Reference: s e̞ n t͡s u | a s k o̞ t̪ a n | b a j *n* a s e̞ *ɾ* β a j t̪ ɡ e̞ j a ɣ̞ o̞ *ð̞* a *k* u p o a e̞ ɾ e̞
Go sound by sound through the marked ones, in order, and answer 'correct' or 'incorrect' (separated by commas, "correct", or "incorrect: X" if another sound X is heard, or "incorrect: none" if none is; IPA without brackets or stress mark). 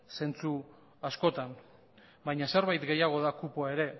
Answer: incorrect: ɲ, correct, correct, correct